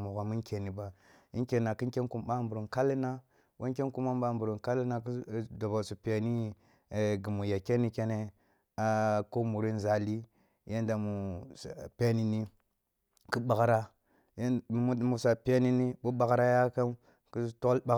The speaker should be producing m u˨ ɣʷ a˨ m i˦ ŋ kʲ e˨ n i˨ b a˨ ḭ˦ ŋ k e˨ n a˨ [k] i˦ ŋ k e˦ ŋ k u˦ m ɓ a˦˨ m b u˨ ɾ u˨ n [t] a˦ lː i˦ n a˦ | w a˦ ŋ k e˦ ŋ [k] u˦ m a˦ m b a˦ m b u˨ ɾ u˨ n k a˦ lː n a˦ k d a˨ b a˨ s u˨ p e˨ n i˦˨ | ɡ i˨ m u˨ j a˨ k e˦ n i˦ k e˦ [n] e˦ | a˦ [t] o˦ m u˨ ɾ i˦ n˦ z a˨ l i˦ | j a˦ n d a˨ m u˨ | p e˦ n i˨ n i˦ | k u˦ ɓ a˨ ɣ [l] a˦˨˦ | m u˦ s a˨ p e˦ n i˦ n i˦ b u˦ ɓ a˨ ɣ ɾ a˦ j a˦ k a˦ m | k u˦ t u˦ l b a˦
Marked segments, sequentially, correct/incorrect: correct, incorrect: k, correct, correct, incorrect: k, incorrect: ɾ

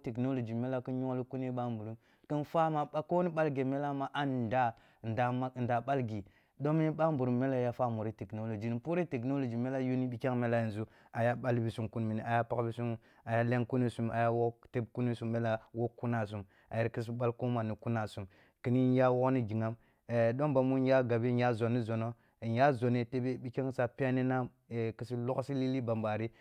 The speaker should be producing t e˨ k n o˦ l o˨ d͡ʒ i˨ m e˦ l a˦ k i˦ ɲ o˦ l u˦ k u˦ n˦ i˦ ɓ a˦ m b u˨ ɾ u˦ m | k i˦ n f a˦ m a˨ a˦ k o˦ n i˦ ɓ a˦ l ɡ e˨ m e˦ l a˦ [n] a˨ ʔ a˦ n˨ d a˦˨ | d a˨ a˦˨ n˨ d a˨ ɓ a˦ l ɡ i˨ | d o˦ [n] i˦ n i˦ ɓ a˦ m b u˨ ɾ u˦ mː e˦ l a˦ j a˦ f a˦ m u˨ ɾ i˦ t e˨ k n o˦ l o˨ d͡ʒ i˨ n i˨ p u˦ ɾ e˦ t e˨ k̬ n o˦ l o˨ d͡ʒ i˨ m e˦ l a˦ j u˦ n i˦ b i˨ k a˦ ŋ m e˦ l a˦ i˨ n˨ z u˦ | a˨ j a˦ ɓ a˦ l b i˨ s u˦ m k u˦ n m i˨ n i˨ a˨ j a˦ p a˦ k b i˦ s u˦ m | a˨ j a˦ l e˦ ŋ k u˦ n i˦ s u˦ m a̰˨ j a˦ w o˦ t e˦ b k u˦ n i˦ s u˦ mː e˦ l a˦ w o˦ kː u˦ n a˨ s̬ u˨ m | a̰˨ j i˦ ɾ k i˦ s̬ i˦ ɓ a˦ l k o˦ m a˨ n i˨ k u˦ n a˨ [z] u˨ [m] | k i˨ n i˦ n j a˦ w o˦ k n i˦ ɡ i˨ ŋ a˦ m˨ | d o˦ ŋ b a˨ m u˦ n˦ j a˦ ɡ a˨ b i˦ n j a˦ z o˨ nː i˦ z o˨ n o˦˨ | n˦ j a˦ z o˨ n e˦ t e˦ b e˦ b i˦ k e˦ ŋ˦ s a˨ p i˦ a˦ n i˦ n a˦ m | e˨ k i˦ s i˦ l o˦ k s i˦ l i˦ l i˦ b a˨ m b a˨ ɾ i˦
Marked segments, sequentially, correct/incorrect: incorrect: m, incorrect: m, incorrect: s, correct

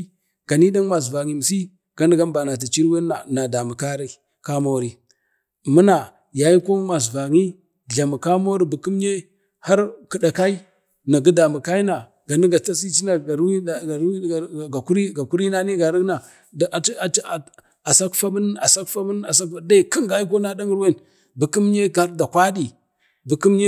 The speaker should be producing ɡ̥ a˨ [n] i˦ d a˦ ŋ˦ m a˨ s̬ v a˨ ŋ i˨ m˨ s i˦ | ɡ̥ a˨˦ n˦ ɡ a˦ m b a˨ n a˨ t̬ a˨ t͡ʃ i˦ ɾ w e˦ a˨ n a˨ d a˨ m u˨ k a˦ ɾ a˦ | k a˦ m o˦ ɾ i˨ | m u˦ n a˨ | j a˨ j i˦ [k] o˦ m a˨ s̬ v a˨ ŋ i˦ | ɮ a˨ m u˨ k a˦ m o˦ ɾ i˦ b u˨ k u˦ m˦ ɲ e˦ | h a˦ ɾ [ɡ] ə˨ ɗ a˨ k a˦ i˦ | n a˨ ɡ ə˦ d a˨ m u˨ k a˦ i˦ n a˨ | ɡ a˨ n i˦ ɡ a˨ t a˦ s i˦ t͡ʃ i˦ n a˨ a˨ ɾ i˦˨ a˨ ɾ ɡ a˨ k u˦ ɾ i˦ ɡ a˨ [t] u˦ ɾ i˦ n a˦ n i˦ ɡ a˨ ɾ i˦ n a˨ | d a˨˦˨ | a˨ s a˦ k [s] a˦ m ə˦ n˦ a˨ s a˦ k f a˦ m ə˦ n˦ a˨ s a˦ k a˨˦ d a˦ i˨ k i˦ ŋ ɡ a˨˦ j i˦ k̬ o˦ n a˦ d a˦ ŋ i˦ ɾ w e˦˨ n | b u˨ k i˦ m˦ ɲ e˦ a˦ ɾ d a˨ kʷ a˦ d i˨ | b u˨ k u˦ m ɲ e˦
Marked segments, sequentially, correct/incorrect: correct, correct, incorrect: k, incorrect: k, incorrect: f

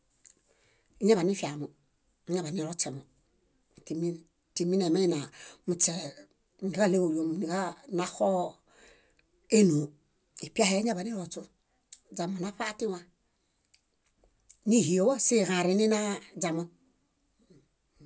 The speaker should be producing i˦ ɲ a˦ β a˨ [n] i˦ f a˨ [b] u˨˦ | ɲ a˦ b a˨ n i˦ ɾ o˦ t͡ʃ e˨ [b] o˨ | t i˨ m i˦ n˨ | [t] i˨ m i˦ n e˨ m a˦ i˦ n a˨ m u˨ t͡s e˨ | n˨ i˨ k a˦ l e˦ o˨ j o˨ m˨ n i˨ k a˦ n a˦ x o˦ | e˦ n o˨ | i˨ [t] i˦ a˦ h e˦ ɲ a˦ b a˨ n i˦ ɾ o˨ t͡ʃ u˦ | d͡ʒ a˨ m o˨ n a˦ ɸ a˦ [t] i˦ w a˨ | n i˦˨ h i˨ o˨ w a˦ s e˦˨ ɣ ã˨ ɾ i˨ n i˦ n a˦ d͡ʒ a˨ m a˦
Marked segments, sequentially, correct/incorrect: correct, incorrect: m, incorrect: m, correct, incorrect: p, correct

